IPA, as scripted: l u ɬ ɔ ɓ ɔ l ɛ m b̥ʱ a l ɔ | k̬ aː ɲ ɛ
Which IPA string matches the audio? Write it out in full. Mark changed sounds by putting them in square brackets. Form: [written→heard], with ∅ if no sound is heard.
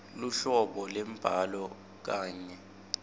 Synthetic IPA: l u ɬ ɔ ɓ ɔ l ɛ m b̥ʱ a l ɔ | k̬ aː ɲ ɛ